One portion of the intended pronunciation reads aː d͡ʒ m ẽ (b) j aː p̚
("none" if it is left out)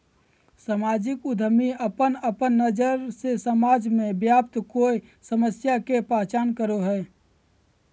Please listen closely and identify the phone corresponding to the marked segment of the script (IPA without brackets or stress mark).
b